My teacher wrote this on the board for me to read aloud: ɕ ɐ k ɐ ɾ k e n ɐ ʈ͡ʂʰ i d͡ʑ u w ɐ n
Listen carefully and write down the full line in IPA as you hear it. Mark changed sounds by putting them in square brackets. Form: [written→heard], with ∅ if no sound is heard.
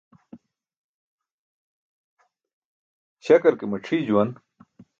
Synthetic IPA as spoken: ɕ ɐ k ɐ ɾ k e [n→m] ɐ ʈ͡ʂʰ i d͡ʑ u w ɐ n

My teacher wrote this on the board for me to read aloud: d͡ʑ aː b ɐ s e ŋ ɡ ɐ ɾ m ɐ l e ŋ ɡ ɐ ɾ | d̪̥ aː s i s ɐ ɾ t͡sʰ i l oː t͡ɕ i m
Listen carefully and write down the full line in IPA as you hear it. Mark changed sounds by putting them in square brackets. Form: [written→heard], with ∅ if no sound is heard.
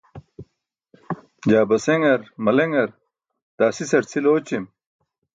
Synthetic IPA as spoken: d͡ʑ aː b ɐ s e ŋ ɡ ɐ ɾ m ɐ l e ŋ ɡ ɐ ɾ | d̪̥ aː s i s ɐ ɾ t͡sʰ i l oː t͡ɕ i m

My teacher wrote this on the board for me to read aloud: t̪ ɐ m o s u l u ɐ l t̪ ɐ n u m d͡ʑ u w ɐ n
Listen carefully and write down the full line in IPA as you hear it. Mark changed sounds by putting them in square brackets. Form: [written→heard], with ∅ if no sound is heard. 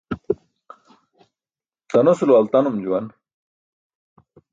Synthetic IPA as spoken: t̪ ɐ [m→n] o s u l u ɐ l t̪ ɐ n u m d͡ʑ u w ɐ n

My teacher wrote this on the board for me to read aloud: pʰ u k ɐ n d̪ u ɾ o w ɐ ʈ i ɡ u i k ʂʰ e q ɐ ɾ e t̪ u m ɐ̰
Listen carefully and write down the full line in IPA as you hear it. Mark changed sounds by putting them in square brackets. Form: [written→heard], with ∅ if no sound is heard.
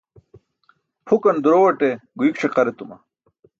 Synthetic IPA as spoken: pʰ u k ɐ n d̪ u ɾ o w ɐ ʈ [i→e] ɡ u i k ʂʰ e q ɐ ɾ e t̪ u m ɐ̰

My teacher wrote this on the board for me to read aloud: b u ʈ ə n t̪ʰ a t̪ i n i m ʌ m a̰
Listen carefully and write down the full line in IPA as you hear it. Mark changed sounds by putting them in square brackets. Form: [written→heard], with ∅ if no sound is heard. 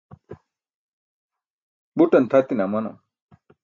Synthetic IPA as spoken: b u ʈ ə n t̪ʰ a t̪ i n [i→a] m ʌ [m→n] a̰

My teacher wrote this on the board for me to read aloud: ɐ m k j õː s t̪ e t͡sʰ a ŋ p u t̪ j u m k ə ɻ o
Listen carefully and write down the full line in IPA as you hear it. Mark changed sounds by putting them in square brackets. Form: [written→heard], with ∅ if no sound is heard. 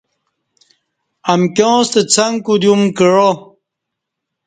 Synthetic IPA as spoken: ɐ m k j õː s t̪ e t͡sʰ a ŋ [p→k] u [t̪→d̪] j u m k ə ɻ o

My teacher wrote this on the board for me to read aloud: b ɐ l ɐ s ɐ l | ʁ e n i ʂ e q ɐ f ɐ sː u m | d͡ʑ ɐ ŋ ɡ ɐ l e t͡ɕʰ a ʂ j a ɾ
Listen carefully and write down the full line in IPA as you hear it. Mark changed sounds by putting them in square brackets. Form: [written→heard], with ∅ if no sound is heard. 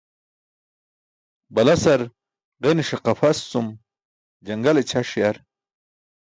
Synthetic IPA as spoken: b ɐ l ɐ s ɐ [l→ɾ] | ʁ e n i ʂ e q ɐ f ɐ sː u m | d͡ʑ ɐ ŋ ɡ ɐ l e t͡ɕʰ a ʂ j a ɾ

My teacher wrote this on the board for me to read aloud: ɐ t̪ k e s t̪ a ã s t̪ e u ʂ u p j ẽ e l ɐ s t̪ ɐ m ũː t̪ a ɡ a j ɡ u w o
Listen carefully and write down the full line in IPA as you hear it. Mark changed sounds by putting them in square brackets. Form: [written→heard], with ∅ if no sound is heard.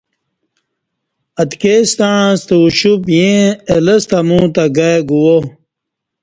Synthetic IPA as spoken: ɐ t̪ k e s t̪ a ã s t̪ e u [ʂ→ɕ] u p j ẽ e l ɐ s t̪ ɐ m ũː t̪ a ɡ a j ɡ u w o

